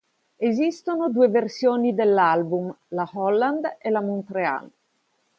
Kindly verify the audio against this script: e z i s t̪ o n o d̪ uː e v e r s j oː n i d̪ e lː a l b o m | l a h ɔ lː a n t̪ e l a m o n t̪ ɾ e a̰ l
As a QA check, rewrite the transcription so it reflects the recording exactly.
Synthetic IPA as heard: e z i s t̪ o n o d̪ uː e v e r s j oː n i d̪ e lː a l b u m | l a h ɔ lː a n d̪ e l a m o n t̪ ɾ e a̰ l